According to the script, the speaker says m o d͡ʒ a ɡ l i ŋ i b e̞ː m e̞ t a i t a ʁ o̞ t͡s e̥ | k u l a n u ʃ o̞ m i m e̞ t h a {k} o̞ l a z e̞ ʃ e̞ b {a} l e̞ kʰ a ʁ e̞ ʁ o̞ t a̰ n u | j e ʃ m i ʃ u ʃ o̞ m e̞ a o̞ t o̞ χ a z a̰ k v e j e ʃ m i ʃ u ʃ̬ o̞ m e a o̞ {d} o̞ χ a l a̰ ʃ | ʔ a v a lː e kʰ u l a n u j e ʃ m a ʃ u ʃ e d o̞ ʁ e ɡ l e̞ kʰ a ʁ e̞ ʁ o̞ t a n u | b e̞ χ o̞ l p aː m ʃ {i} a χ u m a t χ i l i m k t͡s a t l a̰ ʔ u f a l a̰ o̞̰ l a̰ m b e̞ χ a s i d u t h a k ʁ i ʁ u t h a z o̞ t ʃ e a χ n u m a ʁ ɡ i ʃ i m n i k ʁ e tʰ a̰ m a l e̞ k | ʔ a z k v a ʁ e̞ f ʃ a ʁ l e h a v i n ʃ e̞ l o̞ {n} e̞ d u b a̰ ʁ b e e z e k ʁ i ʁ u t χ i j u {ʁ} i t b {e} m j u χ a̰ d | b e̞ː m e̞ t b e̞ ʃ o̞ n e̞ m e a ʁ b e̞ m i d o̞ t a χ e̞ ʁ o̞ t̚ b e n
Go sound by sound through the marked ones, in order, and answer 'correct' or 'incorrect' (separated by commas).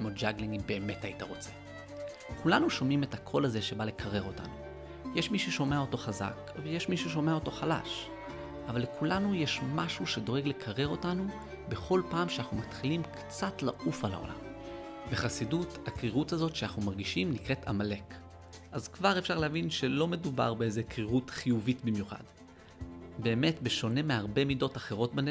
incorrect, correct, incorrect, incorrect, incorrect, incorrect, incorrect